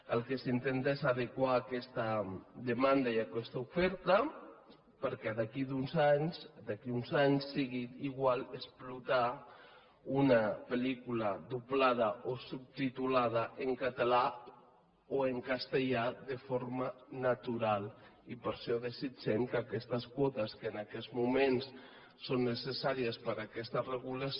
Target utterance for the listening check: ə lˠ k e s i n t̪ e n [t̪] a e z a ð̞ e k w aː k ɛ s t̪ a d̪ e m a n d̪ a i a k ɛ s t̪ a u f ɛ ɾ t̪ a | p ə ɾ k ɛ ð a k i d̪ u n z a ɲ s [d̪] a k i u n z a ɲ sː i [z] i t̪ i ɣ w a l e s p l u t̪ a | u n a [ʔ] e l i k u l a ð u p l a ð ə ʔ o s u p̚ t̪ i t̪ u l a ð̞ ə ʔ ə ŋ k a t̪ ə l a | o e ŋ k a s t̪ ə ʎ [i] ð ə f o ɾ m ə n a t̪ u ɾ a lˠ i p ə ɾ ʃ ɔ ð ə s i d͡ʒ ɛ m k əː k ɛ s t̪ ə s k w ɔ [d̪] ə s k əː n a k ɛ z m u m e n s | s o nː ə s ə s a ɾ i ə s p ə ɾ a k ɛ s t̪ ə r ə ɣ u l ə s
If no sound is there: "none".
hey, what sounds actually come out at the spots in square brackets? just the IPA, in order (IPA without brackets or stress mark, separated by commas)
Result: t̪, d̪, ɣ, p, a, t̪